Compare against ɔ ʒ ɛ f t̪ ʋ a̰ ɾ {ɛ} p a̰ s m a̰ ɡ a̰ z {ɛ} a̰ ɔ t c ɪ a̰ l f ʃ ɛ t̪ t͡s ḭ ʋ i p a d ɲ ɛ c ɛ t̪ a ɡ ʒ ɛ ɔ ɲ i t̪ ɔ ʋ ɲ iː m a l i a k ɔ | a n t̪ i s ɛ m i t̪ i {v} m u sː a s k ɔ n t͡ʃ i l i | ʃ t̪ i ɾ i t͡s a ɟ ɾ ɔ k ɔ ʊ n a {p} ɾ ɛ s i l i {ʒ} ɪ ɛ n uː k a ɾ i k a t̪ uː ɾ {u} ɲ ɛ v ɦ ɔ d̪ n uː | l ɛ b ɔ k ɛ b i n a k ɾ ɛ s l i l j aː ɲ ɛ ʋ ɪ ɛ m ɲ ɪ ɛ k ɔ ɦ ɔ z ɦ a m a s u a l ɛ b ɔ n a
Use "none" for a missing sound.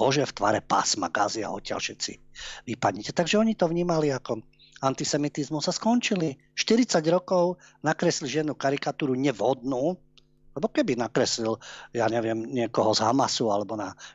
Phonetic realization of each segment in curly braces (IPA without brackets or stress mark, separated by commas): ɛ, i, z, k, ʒ, u